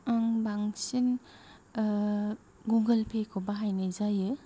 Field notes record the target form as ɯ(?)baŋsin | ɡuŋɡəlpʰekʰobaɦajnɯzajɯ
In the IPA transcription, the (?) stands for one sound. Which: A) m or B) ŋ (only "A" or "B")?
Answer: B